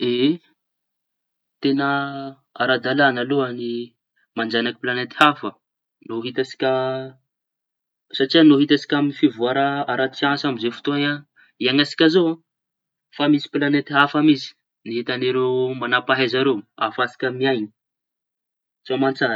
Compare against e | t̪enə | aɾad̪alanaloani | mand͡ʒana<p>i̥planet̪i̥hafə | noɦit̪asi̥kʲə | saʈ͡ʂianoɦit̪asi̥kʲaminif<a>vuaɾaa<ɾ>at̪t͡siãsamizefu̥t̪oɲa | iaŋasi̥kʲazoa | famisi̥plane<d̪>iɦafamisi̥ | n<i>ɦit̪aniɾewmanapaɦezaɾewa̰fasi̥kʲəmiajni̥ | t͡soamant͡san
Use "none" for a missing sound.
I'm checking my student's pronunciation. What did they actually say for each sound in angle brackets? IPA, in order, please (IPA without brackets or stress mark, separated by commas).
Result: k, i, ɾ, t̪, i